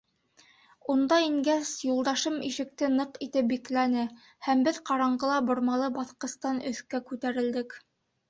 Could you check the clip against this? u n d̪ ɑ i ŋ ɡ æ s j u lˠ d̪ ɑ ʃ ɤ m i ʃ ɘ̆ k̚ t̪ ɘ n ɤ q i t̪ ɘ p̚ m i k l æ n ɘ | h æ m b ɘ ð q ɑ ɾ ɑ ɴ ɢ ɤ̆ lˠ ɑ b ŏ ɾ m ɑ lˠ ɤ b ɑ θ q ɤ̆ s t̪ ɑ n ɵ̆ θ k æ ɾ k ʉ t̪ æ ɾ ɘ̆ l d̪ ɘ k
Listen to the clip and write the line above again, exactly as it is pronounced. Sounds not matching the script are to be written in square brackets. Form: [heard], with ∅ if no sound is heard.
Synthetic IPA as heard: u n d̪ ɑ i ŋ ɡ æ s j u lˠ d̪ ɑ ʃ ɤ m i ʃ ɘ̆ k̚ t̪ ɘ n ɤ q i t̪ ɘ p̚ [b] i k l æ n ɘ | h æ m b ɘ ð q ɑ ɾ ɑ ɴ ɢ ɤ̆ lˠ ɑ b ŏ ɾ m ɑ lˠ ɤ b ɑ θ q ɤ̆ s t̪ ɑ n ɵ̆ θ k æ [∅] k ʉ t̪ æ ɾ ɘ̆ l d̪ ɘ k